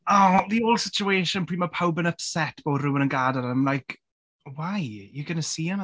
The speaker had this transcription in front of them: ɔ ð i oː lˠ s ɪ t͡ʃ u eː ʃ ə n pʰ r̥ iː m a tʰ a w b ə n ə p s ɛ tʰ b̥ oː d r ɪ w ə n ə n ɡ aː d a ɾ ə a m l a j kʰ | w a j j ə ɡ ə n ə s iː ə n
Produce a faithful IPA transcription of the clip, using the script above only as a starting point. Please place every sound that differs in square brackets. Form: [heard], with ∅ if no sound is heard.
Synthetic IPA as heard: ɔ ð i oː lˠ s ɪ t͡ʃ u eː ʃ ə n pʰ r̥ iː m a [pʰ] a w b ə n ə p s ɛ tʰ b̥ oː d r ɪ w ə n ə n ɡ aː d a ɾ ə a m l a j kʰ | w a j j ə ɡ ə n ə s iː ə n